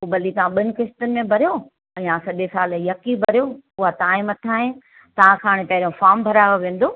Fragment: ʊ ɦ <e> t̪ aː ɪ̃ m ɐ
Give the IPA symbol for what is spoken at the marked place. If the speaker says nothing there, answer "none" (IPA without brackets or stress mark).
a